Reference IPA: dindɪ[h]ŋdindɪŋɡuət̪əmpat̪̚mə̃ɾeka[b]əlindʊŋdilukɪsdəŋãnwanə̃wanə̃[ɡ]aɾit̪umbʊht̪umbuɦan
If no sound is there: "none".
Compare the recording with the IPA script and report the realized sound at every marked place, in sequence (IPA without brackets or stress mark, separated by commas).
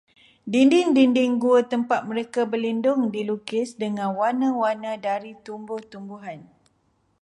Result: none, b, d